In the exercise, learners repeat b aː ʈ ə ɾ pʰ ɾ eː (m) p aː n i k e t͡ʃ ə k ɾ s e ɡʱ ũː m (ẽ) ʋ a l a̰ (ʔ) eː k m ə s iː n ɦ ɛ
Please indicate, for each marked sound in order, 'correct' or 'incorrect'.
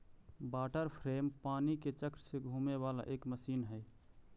correct, incorrect: e, correct

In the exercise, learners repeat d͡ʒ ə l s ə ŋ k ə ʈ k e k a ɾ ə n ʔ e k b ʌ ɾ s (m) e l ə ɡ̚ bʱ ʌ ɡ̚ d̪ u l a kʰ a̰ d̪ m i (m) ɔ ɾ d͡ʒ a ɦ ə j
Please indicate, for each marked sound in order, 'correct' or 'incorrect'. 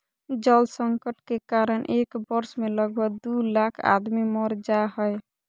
correct, correct

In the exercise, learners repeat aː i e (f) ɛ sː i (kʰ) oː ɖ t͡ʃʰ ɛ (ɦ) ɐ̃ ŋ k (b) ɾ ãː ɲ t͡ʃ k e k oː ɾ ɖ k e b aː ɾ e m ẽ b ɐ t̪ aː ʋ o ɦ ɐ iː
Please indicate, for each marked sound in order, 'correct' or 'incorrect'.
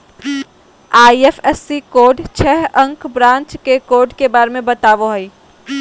correct, incorrect: k, correct, correct

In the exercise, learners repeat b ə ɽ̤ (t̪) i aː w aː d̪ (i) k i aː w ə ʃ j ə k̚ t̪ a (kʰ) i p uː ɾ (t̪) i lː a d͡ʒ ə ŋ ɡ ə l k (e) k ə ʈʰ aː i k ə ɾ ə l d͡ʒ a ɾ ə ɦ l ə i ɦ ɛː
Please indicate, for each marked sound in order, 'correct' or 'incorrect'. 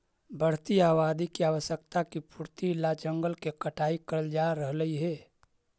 correct, correct, incorrect: k, correct, correct

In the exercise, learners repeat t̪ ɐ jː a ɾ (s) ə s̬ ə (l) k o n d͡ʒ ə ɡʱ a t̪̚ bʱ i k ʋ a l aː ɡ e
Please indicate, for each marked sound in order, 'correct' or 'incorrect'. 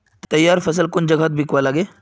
incorrect: f, correct

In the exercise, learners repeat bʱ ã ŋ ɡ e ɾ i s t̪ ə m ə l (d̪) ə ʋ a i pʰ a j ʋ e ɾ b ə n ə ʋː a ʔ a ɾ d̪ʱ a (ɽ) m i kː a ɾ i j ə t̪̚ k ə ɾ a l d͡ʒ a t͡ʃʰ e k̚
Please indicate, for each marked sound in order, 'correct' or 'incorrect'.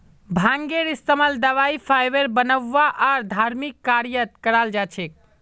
correct, incorrect: ɾ

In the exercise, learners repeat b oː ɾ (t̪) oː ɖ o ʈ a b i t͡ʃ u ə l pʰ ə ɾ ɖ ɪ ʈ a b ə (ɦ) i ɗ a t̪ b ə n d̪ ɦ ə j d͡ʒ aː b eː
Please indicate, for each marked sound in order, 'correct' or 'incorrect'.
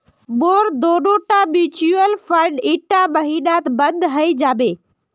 incorrect: d̪, correct

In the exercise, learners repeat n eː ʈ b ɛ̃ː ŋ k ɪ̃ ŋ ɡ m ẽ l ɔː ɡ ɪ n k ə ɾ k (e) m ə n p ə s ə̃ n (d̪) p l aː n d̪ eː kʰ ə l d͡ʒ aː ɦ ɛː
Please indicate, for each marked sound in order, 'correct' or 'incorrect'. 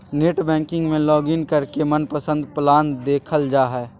correct, correct

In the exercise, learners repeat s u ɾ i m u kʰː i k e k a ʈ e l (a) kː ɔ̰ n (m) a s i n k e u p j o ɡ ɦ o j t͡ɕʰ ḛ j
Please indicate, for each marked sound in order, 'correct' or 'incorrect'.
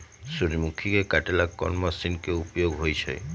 correct, correct

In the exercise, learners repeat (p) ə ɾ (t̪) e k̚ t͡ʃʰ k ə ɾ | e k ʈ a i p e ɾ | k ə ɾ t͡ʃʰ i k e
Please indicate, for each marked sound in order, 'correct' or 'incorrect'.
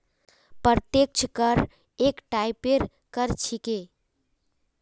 correct, correct

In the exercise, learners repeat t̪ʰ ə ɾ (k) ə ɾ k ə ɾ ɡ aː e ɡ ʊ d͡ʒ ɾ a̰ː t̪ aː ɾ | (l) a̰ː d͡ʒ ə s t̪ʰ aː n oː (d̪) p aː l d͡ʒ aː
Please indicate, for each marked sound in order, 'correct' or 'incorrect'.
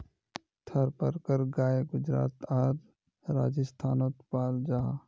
incorrect: p, incorrect: ɾ, incorrect: t̪

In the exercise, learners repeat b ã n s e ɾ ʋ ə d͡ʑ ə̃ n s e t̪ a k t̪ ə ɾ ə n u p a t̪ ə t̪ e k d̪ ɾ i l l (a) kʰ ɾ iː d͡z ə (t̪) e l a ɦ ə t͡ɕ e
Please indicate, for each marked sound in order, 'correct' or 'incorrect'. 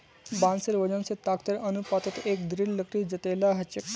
incorrect: ə, correct

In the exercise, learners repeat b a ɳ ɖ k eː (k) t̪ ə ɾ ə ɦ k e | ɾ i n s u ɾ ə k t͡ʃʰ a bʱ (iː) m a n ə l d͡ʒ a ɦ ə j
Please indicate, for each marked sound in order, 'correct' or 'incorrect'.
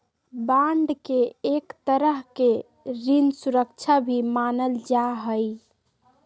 correct, incorrect: i

